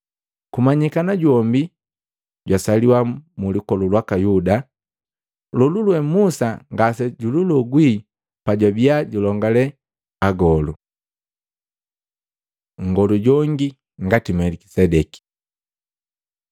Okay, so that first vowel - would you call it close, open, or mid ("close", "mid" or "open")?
close